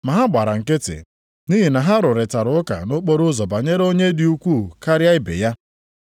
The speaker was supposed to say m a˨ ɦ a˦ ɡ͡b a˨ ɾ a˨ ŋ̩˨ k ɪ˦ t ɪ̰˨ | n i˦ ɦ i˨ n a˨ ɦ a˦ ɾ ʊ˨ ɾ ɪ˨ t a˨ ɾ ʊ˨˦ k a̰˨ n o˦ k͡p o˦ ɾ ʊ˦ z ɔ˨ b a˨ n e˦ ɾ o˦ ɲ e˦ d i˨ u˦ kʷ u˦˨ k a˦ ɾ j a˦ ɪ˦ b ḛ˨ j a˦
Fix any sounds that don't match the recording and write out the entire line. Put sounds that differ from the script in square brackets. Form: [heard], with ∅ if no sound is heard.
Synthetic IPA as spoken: m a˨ ɦ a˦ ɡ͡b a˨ ɾ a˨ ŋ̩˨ k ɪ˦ t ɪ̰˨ | n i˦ ɦ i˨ n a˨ ɦ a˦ ɾ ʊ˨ ɾ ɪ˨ t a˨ ɾ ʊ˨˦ k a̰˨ n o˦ k͡p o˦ ɾ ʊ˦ z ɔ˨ b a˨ [ɲ] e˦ ɾ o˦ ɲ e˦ d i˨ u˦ kʷ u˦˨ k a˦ ɾ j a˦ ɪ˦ b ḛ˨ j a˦

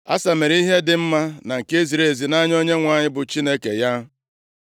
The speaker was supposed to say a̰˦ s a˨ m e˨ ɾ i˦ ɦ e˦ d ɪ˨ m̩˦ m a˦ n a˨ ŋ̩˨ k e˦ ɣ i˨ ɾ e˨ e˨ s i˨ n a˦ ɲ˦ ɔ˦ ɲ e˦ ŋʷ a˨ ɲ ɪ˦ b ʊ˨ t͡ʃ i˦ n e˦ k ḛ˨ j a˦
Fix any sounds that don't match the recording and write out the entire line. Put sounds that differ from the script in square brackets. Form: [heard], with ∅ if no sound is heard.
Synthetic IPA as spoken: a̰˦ s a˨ m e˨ ɾ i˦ ɦ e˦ d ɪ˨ m̩˦ m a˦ n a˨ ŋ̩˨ k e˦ [z] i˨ ɾ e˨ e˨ [z] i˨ n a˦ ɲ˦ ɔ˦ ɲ e˦ ŋʷ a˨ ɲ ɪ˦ b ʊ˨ t͡ʃ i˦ n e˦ k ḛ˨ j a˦

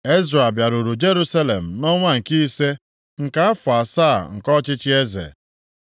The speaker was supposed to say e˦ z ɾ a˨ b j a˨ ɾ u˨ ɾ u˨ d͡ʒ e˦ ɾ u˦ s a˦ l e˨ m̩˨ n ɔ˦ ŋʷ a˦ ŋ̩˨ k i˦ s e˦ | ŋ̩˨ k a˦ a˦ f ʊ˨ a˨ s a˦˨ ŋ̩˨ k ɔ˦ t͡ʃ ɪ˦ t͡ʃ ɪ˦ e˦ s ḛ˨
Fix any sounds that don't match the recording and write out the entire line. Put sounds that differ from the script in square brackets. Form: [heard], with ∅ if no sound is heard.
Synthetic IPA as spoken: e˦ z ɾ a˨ b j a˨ ɾ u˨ ɾ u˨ d͡ʒ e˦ ɾ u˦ s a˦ l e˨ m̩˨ n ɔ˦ ŋʷ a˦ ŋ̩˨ k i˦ s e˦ | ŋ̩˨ k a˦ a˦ f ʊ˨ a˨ s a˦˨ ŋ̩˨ k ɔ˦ t͡ʃ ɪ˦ t͡ʃ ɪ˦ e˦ [z] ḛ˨

